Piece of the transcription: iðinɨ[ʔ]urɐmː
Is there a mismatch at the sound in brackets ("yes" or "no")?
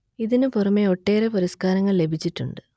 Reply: yes